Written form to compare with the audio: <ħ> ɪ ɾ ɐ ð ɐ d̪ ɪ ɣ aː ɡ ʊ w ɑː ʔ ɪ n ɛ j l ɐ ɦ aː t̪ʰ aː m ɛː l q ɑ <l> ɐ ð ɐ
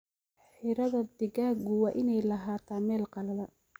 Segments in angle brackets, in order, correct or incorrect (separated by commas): correct, correct